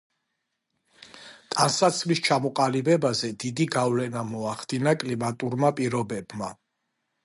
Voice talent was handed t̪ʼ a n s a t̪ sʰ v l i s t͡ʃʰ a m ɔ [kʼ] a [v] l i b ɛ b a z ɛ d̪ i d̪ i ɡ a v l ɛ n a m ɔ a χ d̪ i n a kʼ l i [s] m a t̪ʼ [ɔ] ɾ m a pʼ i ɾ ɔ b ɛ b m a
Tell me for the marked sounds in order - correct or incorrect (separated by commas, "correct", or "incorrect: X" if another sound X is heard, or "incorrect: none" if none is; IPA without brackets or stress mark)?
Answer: incorrect: qʼ, incorrect: none, incorrect: none, incorrect: u